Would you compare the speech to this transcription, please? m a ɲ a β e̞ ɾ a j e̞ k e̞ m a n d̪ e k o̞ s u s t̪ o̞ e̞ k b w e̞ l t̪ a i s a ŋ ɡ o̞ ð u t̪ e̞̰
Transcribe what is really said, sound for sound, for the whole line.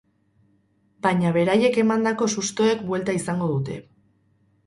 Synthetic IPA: b a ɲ a β e̞ ɾ a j e̞ k e̞ m a n d̪ a k o̞ s u s t̪ o̞ e̞ k b w e̞ l t̪ a i s a ŋ ɡ o̞ ð u t̪ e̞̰